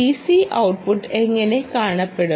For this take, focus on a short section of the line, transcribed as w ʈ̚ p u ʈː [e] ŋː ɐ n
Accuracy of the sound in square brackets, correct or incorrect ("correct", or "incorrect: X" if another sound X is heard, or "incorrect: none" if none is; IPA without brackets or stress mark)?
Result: correct